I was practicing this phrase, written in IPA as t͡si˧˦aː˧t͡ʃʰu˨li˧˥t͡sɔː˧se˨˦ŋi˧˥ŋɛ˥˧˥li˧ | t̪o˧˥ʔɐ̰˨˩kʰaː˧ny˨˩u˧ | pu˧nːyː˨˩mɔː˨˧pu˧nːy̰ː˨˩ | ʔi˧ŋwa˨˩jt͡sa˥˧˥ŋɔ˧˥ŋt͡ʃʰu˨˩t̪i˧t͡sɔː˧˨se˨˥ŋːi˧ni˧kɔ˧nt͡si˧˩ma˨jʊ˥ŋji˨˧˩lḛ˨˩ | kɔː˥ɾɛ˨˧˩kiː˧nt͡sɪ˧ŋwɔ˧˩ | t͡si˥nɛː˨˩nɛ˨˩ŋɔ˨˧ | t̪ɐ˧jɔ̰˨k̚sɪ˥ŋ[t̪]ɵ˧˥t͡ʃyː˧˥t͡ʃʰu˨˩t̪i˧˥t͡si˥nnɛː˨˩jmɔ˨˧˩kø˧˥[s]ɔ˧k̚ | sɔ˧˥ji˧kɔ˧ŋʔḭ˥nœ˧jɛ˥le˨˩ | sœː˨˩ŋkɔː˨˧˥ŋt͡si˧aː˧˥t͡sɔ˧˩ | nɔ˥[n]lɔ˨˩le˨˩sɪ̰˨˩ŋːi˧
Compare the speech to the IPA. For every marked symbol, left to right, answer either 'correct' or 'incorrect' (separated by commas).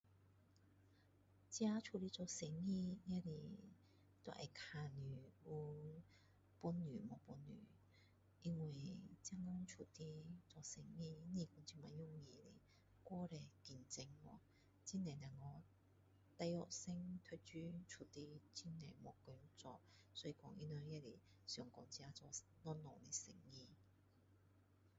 incorrect, incorrect, correct